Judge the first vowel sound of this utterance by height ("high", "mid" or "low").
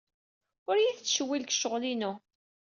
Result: high